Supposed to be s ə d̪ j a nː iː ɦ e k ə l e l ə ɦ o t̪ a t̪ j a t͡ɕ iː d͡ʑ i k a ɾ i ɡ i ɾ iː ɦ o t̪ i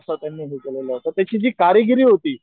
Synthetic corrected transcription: s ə t̪ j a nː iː ɦ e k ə l e l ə ɦ o t̪ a t̪ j a t͡ɕ iː d͡ʑ iː k a ɾ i ɡ i ɾ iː ɦ o t̪ iː